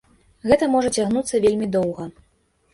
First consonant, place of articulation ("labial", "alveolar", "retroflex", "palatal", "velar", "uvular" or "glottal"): velar